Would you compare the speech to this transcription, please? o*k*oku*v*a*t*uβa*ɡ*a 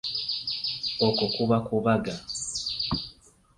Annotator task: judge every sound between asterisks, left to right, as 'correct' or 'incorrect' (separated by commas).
correct, incorrect, incorrect, correct